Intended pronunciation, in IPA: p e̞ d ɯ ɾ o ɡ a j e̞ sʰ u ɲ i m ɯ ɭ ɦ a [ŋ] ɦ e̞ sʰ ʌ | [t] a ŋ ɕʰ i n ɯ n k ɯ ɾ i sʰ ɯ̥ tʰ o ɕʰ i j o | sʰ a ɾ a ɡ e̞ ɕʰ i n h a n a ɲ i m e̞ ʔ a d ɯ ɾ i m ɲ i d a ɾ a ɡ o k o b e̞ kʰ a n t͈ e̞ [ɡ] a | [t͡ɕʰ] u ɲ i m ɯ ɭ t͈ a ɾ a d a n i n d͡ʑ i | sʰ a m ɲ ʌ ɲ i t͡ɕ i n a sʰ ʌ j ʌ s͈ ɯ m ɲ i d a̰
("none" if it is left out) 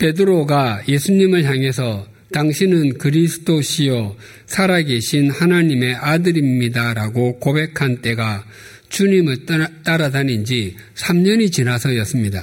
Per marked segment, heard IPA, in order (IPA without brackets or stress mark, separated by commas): ŋ, t, ɡ, t͡ɕ